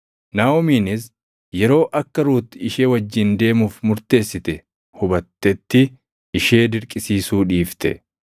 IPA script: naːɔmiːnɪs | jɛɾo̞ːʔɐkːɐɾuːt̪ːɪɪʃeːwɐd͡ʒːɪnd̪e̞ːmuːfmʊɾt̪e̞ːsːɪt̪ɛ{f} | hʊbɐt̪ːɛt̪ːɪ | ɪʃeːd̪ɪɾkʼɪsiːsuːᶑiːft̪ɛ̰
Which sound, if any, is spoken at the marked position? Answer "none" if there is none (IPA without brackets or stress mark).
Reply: none